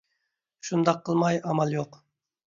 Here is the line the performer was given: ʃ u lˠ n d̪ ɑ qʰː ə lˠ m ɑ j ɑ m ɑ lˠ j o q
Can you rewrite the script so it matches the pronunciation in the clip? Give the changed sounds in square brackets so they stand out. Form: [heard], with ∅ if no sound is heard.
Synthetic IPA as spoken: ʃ u [∅] n d̪ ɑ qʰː ə lˠ m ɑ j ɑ m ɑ lˠ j o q

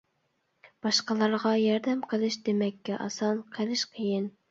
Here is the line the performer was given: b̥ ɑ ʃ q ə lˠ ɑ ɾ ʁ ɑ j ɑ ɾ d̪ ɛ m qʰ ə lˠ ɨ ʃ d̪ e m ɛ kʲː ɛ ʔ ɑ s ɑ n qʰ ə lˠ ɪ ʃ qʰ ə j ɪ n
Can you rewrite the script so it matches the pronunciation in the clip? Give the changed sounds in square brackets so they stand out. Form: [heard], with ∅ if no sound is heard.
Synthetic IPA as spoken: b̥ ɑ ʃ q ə lˠ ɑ ɾ ʁ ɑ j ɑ ɾ d̪ ɛ m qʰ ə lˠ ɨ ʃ d̪ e m ɛ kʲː ɛ ʔ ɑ s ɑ n qʰ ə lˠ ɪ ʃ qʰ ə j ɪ n

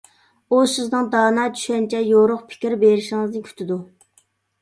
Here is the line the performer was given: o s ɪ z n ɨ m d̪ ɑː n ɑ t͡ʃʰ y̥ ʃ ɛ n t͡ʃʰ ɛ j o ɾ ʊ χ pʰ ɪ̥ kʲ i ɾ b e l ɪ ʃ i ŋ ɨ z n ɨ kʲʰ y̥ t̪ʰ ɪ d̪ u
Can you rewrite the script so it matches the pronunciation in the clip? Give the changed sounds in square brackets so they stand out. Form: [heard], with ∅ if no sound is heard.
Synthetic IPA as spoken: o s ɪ z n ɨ [ŋ] d̪ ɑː n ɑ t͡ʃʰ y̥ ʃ ɛ n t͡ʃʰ ɛ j o ɾ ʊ χ pʰ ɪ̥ kʲ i ɾ b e [ɾ] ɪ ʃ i ŋ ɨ z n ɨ kʲʰ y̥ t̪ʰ ɪ d̪ u

